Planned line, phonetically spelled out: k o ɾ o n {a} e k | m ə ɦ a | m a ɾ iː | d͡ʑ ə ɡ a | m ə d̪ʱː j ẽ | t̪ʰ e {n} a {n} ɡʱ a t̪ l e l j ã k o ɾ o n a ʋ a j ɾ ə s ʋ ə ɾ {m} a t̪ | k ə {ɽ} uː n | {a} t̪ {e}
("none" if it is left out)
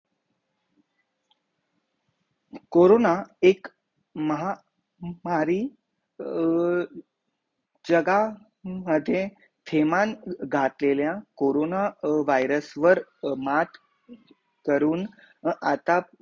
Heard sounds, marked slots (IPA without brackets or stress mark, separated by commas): a, m, n, m, ɾ, a, a